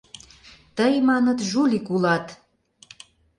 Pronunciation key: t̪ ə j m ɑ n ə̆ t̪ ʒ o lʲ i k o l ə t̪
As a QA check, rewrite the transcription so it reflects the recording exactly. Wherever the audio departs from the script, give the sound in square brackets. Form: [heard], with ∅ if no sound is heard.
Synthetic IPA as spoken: t̪ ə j m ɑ n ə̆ t̪ ʒ [u] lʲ i k [u] l [ɑ] t̪

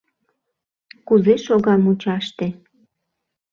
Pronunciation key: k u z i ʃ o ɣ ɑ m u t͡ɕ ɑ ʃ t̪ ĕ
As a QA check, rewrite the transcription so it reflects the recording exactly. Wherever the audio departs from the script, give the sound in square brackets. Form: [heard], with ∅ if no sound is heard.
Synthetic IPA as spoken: k u z [e] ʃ o ɣ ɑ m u t͡ɕ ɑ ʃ t̪ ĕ

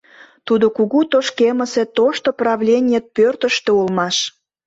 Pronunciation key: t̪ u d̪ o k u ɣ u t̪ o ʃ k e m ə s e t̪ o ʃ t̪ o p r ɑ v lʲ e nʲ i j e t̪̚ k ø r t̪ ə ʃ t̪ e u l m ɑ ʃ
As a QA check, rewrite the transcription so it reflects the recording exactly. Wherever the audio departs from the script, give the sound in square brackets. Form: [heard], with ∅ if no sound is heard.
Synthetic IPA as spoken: t̪ u d̪ o k u ɣ u t̪ o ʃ k e m ə s e t̪ o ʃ t̪ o p r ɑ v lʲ e nʲ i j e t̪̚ [p] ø r t̪ ə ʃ t̪ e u l m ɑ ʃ

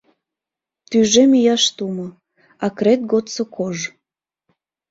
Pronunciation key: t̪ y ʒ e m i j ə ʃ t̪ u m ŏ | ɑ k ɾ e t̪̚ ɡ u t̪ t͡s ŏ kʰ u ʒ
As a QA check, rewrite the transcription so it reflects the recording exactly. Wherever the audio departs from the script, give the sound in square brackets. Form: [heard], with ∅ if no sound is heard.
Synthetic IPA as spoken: t̪ y ʒ e m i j [ɑ] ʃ t̪ u m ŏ | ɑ k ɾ e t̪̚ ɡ [o] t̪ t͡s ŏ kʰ [o] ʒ

